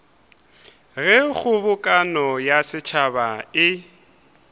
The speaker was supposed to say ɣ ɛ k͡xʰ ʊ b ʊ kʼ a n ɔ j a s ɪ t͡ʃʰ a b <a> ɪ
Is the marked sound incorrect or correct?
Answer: correct